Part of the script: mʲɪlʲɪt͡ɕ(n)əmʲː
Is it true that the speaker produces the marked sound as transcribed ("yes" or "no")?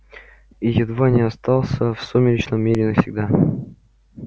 yes